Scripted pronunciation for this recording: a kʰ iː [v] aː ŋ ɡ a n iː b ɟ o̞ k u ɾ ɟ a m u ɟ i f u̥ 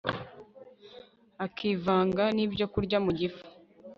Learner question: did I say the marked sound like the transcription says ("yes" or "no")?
yes